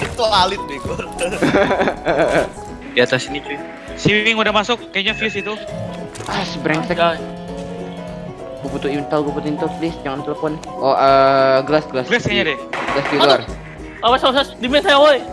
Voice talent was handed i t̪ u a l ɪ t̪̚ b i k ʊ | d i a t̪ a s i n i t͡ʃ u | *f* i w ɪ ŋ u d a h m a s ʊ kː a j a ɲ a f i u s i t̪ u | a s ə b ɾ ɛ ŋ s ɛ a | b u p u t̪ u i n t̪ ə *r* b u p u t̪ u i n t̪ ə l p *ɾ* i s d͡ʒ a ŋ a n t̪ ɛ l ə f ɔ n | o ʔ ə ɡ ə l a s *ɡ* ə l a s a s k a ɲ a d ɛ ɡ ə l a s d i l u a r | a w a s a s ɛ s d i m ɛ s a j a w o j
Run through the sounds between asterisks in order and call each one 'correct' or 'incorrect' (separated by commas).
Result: incorrect, incorrect, incorrect, correct